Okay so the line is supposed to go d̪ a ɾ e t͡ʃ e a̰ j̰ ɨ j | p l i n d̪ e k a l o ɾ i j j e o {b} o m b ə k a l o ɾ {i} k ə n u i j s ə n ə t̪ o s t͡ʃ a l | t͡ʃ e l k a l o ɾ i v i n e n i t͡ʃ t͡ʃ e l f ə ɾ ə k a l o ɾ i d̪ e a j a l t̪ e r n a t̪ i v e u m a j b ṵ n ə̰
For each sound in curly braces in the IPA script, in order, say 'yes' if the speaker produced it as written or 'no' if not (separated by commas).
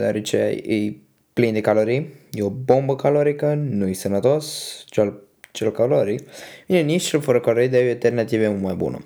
yes, yes